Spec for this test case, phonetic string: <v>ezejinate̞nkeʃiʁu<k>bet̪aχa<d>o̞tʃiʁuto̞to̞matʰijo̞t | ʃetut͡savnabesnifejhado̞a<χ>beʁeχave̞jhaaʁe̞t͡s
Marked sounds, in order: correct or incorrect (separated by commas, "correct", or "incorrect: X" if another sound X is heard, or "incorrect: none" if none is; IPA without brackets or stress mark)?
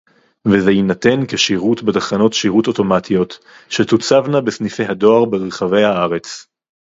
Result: correct, incorrect: t, incorrect: n, incorrect: ʁ